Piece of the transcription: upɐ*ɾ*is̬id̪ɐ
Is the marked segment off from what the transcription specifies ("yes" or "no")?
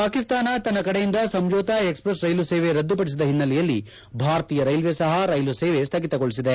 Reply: yes